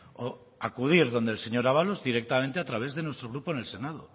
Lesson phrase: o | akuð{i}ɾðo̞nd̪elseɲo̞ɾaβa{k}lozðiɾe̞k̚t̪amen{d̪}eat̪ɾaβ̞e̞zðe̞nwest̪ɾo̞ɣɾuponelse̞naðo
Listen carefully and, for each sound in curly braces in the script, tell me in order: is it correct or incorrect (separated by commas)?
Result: correct, incorrect, incorrect